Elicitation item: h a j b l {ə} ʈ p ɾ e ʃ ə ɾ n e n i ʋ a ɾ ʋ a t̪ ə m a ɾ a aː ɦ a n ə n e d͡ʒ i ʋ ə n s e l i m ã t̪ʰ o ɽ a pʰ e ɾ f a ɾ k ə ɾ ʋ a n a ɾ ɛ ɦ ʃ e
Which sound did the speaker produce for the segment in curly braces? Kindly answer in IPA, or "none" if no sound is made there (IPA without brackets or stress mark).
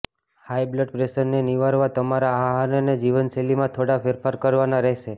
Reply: ə